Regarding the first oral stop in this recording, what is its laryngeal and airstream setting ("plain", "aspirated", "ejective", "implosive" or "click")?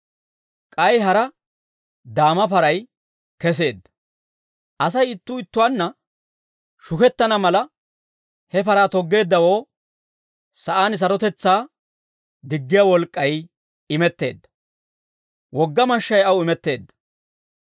ejective